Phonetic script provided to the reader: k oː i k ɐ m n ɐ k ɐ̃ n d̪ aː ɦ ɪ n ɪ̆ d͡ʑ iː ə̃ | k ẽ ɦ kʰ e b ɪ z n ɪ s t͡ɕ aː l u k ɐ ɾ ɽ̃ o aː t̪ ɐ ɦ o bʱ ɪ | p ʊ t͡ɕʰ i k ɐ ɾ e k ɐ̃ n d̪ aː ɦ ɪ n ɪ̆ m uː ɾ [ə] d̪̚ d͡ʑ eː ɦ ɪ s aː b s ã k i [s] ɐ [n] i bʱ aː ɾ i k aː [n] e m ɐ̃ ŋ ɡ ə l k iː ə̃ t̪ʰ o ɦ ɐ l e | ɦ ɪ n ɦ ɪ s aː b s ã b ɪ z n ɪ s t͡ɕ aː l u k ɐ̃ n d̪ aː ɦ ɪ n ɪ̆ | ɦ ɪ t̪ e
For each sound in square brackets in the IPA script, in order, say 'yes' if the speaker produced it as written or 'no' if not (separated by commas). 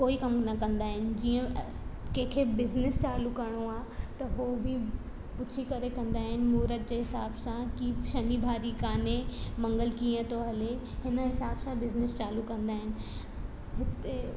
yes, no, yes, yes